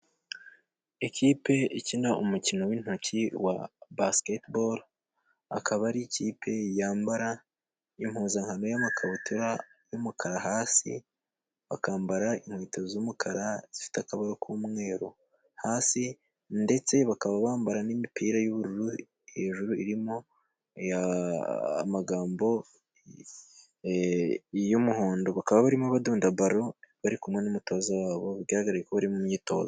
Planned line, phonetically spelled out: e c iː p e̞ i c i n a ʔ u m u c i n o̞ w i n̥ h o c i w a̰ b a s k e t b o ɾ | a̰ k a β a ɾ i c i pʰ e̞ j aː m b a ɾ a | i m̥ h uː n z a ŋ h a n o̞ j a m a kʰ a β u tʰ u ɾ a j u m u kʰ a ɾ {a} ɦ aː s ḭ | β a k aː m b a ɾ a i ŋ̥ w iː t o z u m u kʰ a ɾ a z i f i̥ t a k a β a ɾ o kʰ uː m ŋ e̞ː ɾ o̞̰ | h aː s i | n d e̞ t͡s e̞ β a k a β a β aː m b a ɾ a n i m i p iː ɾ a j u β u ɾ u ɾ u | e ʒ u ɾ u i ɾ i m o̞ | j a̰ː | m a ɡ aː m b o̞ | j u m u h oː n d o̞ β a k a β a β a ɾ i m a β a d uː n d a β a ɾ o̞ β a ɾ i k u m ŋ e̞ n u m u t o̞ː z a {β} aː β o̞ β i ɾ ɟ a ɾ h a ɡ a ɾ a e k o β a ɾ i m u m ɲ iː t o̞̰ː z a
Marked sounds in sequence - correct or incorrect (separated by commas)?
correct, incorrect